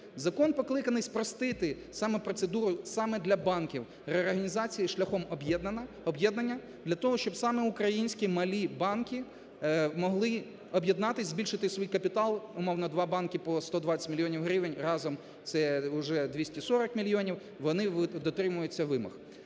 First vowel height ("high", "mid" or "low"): low